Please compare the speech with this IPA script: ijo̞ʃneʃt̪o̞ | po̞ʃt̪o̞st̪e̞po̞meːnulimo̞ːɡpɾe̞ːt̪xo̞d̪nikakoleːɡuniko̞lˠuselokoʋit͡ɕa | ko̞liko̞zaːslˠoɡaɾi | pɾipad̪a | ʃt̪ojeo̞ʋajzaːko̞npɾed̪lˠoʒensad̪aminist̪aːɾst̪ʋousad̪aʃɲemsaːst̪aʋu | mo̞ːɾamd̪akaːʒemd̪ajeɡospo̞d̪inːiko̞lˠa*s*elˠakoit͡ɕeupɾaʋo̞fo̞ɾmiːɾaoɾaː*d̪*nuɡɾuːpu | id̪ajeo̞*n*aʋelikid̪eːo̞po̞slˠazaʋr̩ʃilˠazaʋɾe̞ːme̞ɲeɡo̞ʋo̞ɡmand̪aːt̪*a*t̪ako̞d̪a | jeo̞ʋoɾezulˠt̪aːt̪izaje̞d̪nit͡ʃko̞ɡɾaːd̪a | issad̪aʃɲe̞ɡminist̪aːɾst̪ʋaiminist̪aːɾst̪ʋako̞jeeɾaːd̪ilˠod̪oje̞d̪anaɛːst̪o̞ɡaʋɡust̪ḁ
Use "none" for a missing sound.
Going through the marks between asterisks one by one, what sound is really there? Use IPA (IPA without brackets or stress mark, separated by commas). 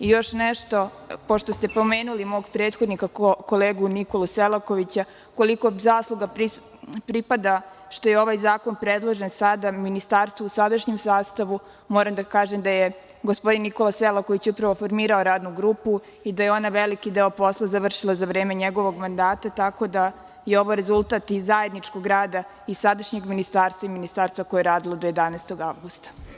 s, d̪, n, a